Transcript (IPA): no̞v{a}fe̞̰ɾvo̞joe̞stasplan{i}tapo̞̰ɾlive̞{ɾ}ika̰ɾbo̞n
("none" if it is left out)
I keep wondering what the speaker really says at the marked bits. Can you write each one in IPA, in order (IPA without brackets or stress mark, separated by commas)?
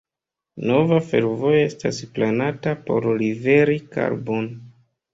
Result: a, a, ɾ